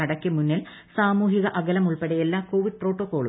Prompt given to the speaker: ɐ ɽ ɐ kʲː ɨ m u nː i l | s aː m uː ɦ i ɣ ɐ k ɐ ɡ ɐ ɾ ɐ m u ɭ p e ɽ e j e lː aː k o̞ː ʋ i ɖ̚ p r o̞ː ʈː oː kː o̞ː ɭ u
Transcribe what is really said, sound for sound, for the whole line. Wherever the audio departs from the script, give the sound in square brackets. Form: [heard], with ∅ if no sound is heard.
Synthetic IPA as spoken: ɐ ɽ ɐ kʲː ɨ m u nː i l | s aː m uː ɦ i ɣ ɐ [ʔ] ɐ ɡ ɐ [l] ɐ m u ɭ p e ɽ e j e lː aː k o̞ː ʋ i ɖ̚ p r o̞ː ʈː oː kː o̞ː ɭ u